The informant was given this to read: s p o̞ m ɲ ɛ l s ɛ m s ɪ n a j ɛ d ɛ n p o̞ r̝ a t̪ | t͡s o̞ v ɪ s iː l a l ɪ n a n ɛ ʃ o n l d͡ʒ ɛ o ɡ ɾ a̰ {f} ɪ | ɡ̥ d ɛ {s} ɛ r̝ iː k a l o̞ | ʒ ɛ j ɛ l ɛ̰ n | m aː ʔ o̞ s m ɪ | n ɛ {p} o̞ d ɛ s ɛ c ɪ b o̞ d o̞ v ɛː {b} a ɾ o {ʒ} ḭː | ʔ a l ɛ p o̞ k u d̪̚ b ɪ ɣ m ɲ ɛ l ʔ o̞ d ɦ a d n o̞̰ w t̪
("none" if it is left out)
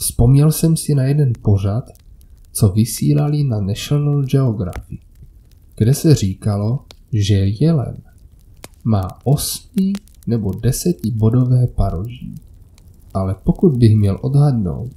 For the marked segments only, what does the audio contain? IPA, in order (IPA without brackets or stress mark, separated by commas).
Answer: f, s, b, p, ʒ